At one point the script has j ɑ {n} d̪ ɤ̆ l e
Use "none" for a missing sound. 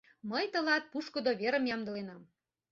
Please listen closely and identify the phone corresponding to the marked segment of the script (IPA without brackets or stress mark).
m